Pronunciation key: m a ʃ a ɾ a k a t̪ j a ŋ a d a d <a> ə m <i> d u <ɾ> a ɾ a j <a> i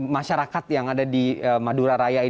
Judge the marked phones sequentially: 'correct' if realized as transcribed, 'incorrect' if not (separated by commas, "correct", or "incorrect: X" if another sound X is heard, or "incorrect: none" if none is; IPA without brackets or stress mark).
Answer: incorrect: i, incorrect: a, correct, correct